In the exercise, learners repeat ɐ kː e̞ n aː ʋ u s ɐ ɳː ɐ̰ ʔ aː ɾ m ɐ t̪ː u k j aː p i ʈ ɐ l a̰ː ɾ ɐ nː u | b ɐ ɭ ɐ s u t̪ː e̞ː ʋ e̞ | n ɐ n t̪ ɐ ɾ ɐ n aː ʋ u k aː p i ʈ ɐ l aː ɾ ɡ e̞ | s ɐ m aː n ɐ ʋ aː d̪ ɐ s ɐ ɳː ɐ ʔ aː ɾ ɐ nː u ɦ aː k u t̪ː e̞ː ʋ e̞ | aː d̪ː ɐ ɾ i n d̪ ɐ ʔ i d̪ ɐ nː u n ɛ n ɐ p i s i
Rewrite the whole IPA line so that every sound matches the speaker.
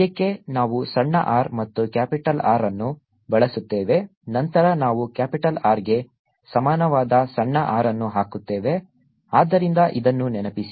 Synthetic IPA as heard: ɐ kː e̞ n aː ʋ u s ɐ ɳː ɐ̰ ʔ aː ɾ m ɐ t̪ː u k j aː p i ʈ ɐ l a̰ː ɾ ɐ nː u | b ɐ ɭ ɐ s u t̪ː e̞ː ʋ e̞ | n ɐ n t̪ ɐ ɾ ɐ n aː ʋ u k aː p i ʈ ɐ l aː ɾ ɡ e̞ | s ɐ m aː n ɐ ʋ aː d̪ ɐ s ɐ ɳː ɐ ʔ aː ɾ ɐ nː u ɦ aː k u t̪ː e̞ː ʋ e̞ | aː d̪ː ɐ ɾ i n d̪ ɐ ʔ i d̪ ɐ nː u n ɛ n ɐ p i s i